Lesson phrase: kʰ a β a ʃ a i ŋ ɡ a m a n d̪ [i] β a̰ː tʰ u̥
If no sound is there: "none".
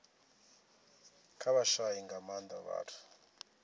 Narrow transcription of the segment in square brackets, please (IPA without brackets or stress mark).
a